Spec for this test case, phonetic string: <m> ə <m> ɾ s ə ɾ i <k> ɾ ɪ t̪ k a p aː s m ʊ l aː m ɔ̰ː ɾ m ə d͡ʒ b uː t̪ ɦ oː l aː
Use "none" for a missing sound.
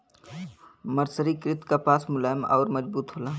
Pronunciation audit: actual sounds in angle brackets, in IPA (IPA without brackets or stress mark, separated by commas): m, none, k